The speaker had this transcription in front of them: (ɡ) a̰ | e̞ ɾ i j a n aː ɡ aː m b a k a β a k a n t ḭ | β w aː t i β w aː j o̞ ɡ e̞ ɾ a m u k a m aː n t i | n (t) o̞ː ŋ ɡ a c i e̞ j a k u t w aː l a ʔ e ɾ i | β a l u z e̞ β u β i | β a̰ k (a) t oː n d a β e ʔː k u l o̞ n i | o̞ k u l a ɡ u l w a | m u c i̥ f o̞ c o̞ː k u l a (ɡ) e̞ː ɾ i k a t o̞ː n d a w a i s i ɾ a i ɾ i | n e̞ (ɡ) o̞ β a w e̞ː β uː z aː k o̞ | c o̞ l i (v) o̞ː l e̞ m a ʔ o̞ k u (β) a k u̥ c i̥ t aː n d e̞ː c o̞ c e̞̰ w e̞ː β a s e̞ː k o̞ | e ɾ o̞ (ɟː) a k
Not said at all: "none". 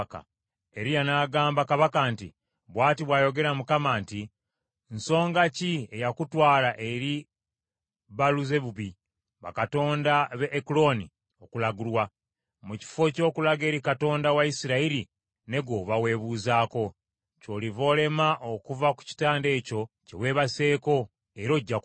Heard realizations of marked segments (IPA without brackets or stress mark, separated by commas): k, s, a, ɡ, ɡ, v, v, ɟː